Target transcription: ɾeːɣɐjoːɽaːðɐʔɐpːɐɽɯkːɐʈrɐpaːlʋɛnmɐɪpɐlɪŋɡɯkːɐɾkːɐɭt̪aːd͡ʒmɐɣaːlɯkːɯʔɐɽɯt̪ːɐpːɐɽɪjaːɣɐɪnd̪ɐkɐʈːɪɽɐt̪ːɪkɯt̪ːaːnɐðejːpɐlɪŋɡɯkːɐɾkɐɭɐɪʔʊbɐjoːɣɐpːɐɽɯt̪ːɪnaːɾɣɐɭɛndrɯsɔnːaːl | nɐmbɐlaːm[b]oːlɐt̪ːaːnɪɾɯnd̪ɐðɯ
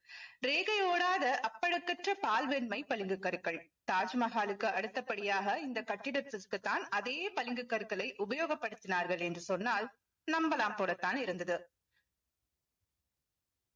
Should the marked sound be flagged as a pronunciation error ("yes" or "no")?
yes